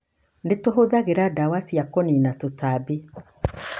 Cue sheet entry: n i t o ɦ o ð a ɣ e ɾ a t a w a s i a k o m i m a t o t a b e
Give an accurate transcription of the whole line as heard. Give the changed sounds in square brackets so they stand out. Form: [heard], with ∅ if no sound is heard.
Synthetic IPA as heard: n [e] t o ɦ o ð a ɣ e ɾ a [d] a w a s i a k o [n] i [n] a t o t a b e